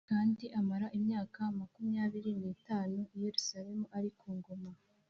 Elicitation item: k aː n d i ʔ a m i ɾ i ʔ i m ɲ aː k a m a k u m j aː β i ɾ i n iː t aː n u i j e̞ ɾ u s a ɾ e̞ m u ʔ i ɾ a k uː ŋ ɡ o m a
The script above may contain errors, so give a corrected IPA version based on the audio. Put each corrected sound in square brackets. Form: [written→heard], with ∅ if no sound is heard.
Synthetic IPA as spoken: k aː n d i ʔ a m [i→a] ɾ [i→a] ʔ i m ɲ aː k a m a k u m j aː β i ɾ i n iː t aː n u i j e̞ ɾ u s a ɾ e̞ m u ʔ [i→a] ɾ [a→i] k uː ŋ ɡ o m a